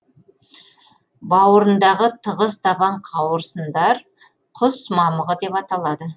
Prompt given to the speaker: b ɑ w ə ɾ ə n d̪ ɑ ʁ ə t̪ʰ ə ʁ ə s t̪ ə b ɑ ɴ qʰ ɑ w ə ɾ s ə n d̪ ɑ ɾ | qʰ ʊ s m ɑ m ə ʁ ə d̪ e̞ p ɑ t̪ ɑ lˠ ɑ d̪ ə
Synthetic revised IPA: b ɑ w ə ɾ ə n d̪ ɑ ʁ ə t̪ʰ ə ʁ ə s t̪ ɑ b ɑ ɴ qʰ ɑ w ə ɾ s ə n d̪ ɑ ɾ | qʰ ʊ s m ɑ m ə ʁ ə d̪ e̞ p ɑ t̪ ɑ lˠ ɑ d̪ ə